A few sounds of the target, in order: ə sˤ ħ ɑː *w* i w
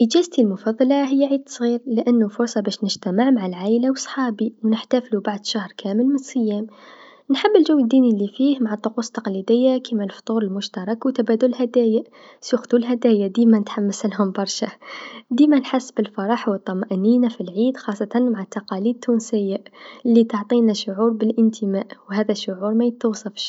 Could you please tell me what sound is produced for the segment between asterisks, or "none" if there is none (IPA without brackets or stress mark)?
b